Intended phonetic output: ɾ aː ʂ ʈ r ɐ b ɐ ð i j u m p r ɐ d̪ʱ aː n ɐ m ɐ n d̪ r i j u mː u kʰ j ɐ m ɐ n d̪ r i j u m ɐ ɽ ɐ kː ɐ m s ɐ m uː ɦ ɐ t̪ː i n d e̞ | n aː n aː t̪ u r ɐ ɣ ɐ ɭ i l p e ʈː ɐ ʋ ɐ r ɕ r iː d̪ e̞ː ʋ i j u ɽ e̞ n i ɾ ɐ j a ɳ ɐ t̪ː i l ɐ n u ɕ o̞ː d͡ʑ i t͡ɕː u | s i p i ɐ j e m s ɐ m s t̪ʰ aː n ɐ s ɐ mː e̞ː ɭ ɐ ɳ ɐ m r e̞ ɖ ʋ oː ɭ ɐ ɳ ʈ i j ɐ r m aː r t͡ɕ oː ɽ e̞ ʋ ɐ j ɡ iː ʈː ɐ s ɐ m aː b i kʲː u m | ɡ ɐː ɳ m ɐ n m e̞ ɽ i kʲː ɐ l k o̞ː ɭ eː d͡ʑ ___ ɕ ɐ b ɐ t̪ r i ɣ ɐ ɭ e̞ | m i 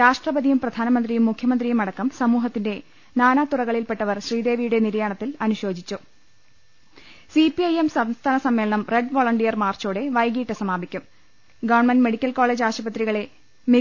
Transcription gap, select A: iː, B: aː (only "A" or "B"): B